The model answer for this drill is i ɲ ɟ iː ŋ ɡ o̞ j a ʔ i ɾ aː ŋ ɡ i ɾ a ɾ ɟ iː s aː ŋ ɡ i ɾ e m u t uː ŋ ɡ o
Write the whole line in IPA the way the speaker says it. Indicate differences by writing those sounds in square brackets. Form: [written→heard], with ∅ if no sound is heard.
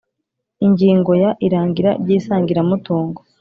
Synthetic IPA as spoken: i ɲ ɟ iː ŋ ɡ o̞ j a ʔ i ɾ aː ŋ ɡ i ɾ a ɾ ɟ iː s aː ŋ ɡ i ɾ [e→a] m u t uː ŋ ɡ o